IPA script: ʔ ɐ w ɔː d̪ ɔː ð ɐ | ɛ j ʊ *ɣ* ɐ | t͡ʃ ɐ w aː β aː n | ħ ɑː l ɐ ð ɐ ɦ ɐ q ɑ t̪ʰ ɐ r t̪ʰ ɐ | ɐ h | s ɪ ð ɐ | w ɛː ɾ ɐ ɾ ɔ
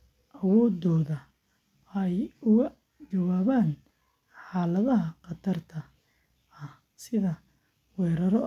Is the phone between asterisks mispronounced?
no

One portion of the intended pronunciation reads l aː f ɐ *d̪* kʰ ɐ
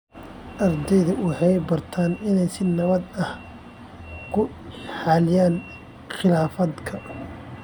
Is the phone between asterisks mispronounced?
no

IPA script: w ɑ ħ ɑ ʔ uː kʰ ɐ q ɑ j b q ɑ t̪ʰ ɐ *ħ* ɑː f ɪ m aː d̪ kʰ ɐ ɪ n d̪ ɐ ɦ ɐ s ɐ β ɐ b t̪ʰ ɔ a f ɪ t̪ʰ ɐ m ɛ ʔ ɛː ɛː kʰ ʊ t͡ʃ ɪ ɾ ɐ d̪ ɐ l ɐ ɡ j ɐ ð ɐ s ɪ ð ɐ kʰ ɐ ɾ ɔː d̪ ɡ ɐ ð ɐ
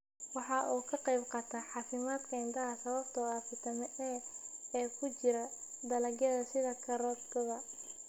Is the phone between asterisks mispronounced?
no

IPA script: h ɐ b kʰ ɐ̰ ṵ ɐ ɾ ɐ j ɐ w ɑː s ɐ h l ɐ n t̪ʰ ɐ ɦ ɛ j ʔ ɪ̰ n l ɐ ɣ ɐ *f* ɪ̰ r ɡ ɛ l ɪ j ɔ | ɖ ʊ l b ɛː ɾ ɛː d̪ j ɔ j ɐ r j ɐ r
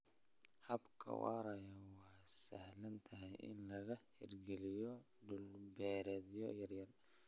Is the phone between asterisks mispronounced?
yes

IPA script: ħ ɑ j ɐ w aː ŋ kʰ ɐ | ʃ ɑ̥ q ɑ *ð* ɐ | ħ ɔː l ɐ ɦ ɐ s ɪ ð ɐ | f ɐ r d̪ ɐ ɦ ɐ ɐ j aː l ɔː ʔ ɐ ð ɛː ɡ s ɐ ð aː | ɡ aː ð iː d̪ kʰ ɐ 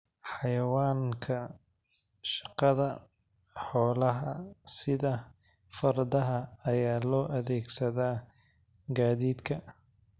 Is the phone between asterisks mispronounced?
no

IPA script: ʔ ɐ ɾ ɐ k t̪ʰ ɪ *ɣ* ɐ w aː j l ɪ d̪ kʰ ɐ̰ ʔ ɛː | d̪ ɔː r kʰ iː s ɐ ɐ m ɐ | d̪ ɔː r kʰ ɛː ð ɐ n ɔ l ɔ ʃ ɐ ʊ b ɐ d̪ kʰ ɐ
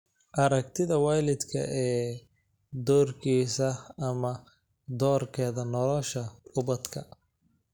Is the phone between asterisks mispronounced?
yes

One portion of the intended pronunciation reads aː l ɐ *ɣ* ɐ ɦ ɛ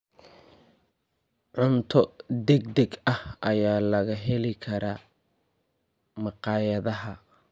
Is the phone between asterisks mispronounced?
no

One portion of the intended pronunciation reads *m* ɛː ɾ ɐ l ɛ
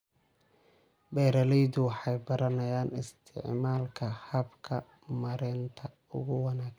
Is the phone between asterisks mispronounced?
yes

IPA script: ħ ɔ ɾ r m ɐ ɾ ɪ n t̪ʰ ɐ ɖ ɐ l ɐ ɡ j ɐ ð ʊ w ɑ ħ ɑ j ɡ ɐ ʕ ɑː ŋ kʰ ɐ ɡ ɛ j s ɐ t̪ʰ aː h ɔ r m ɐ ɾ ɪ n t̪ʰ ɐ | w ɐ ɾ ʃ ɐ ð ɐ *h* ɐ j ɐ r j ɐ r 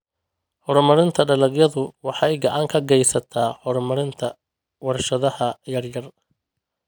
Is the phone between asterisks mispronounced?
no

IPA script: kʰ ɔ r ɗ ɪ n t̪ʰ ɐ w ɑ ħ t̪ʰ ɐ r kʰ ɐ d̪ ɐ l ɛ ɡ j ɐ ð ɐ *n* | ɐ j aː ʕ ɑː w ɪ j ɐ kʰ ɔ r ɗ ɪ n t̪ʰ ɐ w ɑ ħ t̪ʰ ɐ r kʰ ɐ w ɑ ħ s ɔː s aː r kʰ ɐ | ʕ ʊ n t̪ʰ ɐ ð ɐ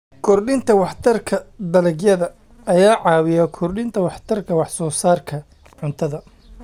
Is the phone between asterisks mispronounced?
yes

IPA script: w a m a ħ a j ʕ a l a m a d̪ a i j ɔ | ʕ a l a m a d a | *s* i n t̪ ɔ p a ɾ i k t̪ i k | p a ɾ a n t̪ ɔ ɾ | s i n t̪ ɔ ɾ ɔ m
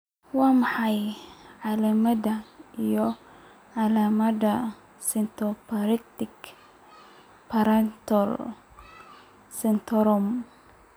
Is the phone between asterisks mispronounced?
no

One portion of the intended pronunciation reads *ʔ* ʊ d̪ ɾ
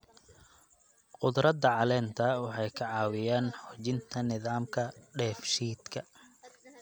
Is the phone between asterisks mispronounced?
yes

